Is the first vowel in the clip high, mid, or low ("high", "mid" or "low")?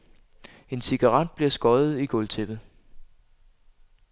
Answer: mid